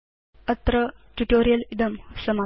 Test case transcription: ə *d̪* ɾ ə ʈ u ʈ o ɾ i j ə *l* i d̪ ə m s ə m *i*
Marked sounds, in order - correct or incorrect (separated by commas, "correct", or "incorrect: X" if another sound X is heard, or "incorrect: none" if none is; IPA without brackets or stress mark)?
incorrect: t̪, correct, incorrect: a